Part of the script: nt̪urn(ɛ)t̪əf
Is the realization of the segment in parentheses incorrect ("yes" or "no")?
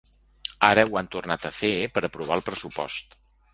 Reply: yes